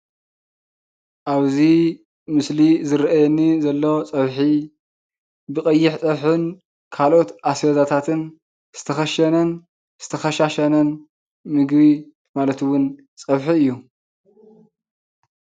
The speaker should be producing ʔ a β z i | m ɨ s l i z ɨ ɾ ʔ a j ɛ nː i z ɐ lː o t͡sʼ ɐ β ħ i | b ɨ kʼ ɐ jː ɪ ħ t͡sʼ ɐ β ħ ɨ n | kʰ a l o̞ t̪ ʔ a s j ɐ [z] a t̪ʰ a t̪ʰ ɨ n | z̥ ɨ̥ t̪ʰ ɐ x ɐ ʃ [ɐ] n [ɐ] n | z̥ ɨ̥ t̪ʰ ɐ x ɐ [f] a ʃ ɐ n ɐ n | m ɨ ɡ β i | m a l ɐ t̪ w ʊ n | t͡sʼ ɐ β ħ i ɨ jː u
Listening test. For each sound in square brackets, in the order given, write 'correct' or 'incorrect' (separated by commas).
correct, correct, correct, incorrect